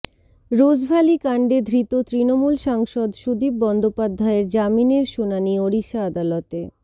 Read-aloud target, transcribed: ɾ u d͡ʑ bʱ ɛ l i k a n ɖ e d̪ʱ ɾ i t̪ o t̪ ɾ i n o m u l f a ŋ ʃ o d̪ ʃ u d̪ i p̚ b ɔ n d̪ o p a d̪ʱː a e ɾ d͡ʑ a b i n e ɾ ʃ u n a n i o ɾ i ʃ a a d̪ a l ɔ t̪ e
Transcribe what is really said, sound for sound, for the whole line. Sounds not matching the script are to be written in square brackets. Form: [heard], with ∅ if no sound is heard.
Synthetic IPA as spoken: ɾ [o] d͡ʑ bʱ [a] l i k a [ɳ] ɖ e d̪ʱ ɾ i t̪ o t̪ ɾ i n o m u l [ʃ] a ŋ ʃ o d̪ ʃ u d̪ i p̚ b ɔ n d̪ o p a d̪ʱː a e ɾ d͡ʑ a [m] i n e ɾ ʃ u n a n i o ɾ i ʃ a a d̪ a l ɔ t̪ e